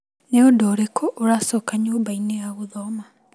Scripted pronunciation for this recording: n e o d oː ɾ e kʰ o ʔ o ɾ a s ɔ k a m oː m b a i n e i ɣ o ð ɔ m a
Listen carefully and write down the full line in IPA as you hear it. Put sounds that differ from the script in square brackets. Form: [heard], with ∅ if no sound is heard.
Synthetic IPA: n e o d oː ɾ e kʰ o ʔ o ɾ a s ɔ k a [ɲ] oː m b a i n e [a] ɣ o ð ɔ m a